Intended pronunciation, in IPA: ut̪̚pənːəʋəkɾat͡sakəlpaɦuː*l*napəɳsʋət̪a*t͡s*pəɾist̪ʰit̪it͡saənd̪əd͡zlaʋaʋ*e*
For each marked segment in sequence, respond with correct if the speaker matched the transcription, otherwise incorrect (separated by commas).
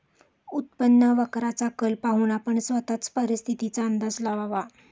incorrect, correct, incorrect